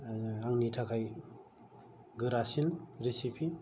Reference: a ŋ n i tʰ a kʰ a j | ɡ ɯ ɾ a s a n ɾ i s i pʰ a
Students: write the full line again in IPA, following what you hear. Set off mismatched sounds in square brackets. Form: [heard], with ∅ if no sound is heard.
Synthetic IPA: a ŋ n i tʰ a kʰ a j | ɡ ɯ ɾ a s [i] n ɾ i s i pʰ [i]

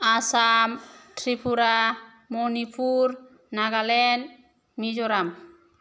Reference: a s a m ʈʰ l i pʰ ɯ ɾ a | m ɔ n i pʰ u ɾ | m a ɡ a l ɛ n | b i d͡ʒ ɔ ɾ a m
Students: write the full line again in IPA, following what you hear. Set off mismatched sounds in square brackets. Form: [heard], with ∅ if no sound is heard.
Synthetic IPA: a s a m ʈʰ [ɾ] i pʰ [u] ɾ a | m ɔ n i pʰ u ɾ | [n] a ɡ a l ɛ n | [m] i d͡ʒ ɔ ɾ a m

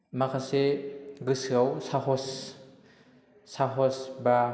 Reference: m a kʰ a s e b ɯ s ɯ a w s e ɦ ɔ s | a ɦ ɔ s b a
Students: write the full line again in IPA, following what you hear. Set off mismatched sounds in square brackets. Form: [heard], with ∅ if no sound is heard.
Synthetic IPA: m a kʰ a s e [ɡ] ɯ s ɯ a w s [a] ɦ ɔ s | a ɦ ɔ s b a

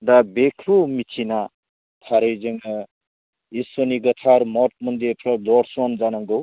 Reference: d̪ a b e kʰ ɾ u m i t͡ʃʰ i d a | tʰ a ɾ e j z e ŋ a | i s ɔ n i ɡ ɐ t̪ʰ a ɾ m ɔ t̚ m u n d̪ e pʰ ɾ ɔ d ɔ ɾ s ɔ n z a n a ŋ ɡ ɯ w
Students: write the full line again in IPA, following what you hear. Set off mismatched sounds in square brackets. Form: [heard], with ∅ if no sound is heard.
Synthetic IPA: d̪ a b e kʰ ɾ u m i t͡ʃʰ i [n] a | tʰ a ɾ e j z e ŋ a | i s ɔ n i ɡ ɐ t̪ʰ a ɾ m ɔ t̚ m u n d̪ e pʰ ɾ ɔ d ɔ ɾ s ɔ n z a n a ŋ ɡ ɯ w

